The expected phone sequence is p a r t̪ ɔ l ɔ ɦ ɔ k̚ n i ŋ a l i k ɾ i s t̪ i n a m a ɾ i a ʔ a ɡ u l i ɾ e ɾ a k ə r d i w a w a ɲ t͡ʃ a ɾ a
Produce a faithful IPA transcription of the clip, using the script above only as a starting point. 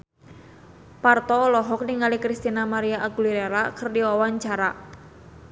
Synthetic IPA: p a r t̪ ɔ l ɔ ɦ ɔ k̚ n i ŋ a l i k ɾ i s t̪ i n a m a ɾ i a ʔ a ɡ u l i ɾ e ɾ a k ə r d i w a w a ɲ t͡ʃ a ɾ a